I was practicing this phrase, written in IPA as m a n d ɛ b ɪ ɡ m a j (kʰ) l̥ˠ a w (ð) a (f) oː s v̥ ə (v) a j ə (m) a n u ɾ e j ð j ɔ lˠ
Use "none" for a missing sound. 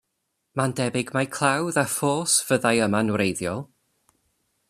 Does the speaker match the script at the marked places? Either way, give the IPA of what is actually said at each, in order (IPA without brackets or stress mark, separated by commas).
kʰ, ð, f, ð, m